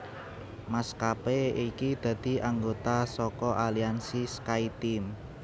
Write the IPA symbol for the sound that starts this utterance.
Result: m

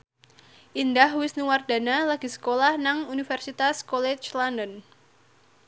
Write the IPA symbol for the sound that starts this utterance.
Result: ʔ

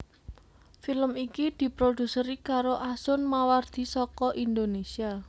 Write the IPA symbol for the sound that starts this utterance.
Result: f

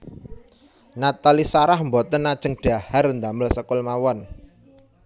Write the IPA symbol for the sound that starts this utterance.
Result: n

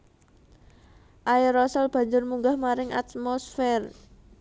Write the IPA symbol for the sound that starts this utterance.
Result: ʔ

